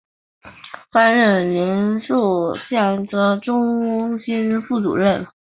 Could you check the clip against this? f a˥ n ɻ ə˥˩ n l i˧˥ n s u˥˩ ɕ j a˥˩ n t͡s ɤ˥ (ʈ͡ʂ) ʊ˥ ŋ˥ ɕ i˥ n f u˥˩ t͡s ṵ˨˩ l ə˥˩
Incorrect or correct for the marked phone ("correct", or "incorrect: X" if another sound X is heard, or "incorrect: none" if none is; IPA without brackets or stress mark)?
correct